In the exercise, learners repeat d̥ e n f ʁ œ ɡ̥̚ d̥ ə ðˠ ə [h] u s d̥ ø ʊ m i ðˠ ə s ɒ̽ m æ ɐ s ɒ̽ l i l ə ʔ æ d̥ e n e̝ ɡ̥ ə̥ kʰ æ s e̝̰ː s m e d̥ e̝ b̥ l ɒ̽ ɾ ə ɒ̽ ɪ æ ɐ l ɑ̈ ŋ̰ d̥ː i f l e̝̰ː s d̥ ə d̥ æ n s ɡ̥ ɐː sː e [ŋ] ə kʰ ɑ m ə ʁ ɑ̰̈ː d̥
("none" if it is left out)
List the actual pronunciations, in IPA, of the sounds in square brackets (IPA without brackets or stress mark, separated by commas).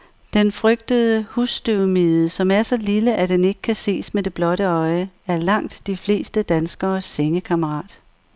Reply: h, ŋ